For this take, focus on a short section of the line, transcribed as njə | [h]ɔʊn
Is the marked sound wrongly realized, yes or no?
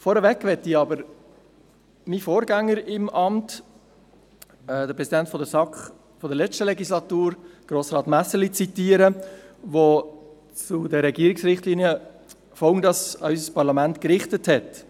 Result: yes